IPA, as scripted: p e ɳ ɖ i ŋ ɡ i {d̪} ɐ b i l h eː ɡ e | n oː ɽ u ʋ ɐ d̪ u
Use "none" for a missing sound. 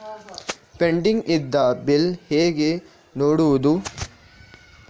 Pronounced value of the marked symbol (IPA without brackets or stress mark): d̪ː